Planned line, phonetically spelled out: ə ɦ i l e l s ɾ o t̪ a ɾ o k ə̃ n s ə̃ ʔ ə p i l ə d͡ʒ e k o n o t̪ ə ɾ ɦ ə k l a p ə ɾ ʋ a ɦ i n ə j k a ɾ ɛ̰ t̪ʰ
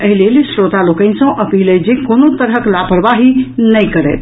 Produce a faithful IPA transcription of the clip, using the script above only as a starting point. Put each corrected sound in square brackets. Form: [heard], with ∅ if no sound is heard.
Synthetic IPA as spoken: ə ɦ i l e l s ɾ o t̪ a [l] o k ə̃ n s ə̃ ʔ ə p i l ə d͡ʒ e k o n o t̪ ə ɾ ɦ ə k l a p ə ɾ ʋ a ɦ i n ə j k [ə] ɾ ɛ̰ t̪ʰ